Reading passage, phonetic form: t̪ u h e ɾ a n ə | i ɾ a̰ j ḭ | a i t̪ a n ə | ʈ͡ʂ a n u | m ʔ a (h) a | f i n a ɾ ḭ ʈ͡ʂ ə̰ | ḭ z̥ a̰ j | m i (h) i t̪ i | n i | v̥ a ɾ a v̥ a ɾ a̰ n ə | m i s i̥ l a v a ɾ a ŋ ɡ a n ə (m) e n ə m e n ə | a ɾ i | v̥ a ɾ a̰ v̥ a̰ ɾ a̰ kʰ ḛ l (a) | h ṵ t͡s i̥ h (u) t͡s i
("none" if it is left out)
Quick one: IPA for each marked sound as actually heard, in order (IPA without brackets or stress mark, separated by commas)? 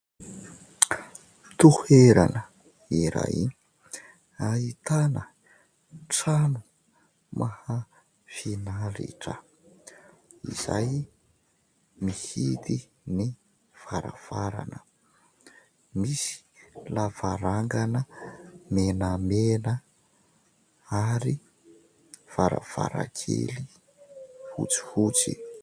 h, h, m, i, u